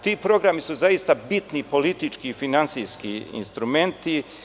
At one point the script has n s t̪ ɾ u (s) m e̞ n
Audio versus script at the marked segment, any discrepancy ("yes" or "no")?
yes